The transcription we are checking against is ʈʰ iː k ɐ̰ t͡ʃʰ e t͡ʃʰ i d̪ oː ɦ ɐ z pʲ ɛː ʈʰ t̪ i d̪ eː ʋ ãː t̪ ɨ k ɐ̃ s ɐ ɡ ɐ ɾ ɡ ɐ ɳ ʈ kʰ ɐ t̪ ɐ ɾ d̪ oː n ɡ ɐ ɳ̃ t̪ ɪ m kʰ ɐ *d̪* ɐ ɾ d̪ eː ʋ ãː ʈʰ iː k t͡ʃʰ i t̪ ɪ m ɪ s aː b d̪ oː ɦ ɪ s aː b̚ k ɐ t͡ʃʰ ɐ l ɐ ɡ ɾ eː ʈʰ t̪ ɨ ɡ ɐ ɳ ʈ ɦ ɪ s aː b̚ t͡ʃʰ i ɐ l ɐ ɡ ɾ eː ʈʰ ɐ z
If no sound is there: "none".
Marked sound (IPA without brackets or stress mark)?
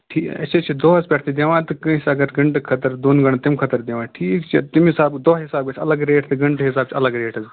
t̪